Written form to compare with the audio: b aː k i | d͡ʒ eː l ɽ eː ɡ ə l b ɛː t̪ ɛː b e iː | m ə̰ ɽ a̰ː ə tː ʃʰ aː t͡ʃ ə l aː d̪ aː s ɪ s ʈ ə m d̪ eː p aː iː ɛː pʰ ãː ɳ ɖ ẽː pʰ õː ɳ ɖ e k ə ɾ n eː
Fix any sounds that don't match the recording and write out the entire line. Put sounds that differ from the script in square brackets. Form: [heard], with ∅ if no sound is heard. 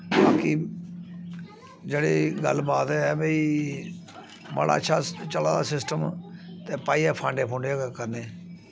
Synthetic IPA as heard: b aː k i | d͡ʒ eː [∅] ɽ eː ɡ ə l b [aː] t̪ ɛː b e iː | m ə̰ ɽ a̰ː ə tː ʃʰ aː t͡ʃ ə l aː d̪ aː s ɪ s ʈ ə m [t̪] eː p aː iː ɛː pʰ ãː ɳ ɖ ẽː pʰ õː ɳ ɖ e k ə ɾ n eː